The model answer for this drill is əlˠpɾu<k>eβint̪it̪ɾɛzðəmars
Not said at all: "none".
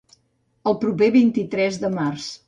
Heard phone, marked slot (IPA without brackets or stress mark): p